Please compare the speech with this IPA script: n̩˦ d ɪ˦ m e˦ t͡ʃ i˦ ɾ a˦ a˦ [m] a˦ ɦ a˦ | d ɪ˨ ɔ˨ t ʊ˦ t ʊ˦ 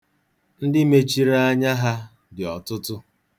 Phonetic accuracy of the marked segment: incorrect: ɲ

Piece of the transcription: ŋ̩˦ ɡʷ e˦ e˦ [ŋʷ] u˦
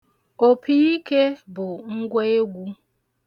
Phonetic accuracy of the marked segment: incorrect: ɡʷ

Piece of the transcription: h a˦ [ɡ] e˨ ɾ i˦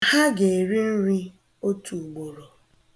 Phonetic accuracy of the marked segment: correct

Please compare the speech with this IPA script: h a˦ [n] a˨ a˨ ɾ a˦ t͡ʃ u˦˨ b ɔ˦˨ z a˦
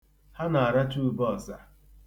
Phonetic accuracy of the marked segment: correct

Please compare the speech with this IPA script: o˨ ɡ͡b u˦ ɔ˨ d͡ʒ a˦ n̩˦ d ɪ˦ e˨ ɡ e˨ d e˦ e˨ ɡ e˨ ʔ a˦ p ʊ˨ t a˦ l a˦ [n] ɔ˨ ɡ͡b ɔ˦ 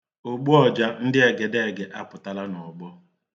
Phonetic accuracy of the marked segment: correct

